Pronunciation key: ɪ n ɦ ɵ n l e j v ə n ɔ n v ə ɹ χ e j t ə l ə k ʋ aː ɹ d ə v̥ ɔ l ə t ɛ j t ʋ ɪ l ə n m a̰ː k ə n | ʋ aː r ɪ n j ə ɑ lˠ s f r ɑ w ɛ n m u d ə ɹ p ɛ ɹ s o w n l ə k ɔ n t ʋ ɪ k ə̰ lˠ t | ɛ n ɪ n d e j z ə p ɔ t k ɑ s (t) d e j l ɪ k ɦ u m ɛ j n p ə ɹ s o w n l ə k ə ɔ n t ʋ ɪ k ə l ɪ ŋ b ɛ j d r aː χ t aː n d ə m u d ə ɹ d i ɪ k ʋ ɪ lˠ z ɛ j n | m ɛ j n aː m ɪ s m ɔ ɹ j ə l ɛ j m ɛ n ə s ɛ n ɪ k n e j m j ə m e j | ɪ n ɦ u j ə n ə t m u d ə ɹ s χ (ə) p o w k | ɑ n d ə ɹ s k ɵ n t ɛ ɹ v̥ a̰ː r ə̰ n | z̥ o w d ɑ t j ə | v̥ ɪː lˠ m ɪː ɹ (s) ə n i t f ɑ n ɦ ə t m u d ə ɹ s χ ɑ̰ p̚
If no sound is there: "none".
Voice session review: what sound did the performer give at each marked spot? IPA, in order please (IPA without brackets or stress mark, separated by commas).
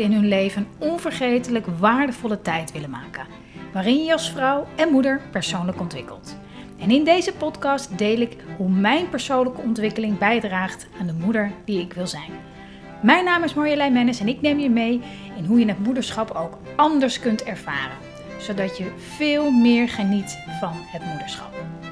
t, ɑ, χ